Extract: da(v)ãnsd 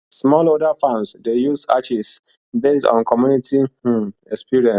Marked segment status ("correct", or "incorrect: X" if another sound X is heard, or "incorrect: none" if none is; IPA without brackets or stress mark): incorrect: f